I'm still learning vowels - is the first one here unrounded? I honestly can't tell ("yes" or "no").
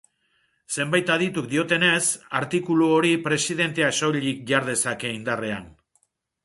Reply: yes